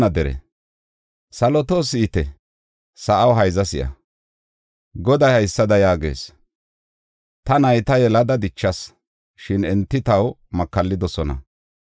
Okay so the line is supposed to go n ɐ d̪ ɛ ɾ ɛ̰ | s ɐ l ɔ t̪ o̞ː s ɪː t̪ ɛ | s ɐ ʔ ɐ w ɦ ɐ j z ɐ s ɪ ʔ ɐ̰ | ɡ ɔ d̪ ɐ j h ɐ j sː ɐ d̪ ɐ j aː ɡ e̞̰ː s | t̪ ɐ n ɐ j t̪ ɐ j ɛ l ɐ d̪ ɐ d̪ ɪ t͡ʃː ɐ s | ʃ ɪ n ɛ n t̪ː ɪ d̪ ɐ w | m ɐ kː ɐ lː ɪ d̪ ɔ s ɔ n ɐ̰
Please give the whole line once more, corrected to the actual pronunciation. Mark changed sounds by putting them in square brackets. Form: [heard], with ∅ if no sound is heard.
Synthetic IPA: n ɐ d̪ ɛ ɾ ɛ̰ | s ɐ l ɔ t̪ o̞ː s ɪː t̪ ɛ | s ɐ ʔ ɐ w ɦ ɐ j z ɐ s ɪ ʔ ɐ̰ | ɡ ɔ d̪ ɐ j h ɐ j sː ɐ d̪ ɐ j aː ɡ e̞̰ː s | t̪ ɐ n ɐ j t̪ ɐ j ɛ l ɐ d̪ ɐ d̪ ɪ t͡ʃː ɐ s | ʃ ɪ n ɛ n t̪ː ɪ [t̪] ɐ w | m ɐ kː ɐ lː ɪ d̪ ɔ s ɔ n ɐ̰